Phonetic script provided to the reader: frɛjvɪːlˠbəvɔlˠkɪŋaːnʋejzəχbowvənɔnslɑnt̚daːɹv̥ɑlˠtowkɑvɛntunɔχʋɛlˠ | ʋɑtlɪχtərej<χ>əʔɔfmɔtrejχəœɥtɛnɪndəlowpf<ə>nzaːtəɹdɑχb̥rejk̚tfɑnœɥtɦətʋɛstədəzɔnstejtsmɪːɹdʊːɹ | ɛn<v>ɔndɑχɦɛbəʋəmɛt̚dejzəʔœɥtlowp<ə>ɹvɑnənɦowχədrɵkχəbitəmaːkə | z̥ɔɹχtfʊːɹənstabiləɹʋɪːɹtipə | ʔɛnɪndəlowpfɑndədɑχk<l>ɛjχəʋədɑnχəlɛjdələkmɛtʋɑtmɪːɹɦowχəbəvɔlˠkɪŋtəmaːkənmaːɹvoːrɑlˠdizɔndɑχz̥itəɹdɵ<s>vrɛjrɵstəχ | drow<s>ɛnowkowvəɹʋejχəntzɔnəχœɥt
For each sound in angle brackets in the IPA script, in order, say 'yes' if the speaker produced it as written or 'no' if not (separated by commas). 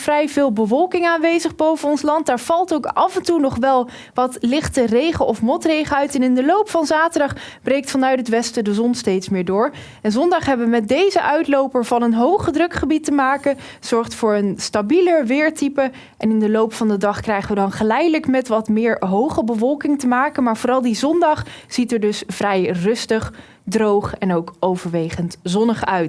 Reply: yes, no, no, yes, no, yes, no